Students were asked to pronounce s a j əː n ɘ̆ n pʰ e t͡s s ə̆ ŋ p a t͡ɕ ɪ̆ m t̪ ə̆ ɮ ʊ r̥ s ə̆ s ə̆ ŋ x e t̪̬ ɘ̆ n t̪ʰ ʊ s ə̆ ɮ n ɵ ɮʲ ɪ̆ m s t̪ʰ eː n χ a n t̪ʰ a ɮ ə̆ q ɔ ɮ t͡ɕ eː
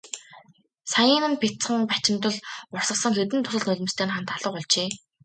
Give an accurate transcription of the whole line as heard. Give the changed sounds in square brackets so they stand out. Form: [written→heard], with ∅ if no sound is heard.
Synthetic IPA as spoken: s a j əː n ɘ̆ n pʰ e t͡s [s→χ] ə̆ ŋ p a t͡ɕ ɪ̆ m t̪ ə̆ ɮ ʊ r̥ s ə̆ s ə̆ ŋ x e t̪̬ ɘ̆ n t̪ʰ ʊ s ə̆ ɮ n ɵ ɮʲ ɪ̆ m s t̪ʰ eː n χ a n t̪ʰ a ɮ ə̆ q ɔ ɮ t͡ɕ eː